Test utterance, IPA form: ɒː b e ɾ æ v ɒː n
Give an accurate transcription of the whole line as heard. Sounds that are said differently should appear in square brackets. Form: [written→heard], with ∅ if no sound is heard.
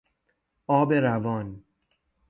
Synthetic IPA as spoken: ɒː b e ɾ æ v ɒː n